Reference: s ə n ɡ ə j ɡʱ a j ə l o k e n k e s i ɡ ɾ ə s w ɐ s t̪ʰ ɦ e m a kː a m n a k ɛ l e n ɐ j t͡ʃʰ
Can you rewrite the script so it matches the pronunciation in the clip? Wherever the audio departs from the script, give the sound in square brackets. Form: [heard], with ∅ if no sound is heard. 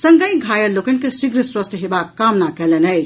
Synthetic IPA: s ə [ŋ] ɡ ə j ɡʱ a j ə l o k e n k e s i ɡ ɾ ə s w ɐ s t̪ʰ ɦ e [b] a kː a m n a k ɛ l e n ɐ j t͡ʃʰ